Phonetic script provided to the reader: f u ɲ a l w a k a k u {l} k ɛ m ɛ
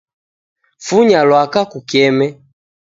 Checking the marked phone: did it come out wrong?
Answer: yes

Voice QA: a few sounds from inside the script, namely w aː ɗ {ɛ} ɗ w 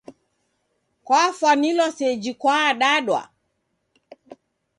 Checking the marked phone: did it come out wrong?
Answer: yes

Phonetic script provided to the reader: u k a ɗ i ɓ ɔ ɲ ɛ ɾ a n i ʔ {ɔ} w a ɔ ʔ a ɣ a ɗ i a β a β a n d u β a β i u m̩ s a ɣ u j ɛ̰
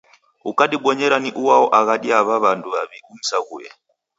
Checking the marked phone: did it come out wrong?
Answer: yes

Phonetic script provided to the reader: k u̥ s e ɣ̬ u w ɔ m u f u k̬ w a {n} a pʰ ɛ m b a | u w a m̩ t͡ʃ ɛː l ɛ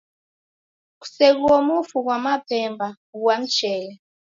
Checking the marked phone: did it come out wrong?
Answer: yes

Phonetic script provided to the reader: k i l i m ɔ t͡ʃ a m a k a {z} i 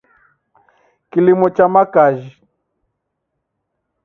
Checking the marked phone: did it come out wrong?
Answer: yes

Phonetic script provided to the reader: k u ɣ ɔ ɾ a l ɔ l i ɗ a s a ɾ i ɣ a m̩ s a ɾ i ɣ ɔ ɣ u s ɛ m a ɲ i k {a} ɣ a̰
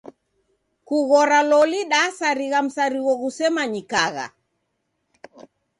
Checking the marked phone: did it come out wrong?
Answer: no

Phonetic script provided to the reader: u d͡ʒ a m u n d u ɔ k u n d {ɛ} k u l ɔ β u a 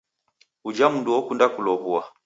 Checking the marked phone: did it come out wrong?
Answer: yes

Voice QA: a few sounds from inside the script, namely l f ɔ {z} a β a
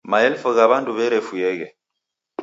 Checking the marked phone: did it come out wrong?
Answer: yes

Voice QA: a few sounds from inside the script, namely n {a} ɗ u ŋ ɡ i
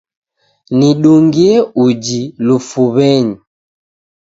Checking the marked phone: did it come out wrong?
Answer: yes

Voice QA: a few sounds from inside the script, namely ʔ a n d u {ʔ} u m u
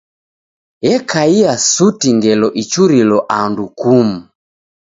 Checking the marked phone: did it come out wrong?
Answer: yes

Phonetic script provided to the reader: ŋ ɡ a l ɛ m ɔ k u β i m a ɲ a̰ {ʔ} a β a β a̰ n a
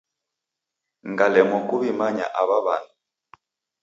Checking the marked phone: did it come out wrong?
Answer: no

